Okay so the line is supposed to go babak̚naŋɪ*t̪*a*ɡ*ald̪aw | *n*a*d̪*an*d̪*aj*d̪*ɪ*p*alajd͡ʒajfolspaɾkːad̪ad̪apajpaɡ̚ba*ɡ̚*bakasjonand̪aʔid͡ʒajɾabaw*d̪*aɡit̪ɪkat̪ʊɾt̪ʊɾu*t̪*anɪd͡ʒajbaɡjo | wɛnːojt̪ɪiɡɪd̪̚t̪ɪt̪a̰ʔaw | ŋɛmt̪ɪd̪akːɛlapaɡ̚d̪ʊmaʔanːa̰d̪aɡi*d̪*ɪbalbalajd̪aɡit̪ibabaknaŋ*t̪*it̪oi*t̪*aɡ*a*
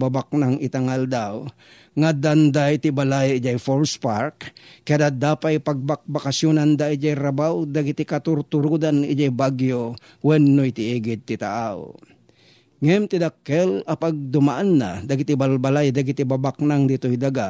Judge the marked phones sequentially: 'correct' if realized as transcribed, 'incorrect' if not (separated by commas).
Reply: correct, incorrect, incorrect, correct, correct, incorrect, incorrect, incorrect, correct, incorrect, incorrect, incorrect, incorrect, correct